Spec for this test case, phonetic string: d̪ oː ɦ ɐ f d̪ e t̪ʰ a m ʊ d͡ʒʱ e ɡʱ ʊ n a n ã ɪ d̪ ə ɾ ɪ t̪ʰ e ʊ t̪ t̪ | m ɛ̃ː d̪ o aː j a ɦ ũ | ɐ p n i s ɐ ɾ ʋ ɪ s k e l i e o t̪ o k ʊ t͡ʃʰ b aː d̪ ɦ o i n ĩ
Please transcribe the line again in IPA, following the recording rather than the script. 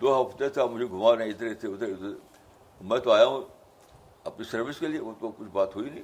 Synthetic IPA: d̪ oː ɦ ɐ f t̪ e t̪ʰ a m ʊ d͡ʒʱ e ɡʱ ʊ m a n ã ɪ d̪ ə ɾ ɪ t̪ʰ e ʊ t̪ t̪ | m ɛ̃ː t̪ o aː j a ɦ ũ | ɐ p n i s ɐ ɾ ʋ ɪ s k e l i e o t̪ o k ʊ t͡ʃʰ b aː t̪ ɦ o i n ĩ